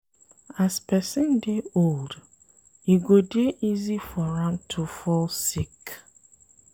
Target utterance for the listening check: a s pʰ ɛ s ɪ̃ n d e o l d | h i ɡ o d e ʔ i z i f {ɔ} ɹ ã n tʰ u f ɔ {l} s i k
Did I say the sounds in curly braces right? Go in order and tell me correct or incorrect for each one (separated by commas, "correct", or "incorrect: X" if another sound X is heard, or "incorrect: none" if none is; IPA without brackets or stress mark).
correct, correct